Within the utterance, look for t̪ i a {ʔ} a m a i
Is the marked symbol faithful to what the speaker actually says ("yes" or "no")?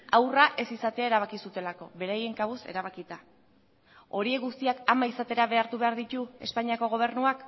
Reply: no